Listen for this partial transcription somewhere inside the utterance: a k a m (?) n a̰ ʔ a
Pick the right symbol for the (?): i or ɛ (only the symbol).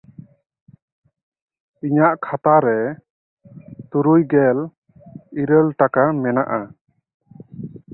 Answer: ɛ